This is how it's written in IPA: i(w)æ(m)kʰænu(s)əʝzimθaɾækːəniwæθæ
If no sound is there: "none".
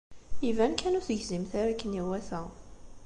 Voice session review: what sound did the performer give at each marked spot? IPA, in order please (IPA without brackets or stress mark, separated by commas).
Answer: v, n, θ